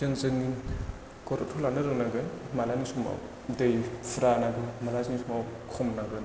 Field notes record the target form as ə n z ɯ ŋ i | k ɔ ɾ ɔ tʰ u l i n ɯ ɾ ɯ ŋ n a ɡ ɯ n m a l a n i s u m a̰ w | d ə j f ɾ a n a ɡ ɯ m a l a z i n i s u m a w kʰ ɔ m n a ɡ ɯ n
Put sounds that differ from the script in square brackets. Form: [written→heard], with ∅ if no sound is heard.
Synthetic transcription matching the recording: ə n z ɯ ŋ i | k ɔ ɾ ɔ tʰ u l [i→a] n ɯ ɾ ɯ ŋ n a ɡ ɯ n m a l a n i s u m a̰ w | d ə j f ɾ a n a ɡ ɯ m a l a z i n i s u m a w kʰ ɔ m n a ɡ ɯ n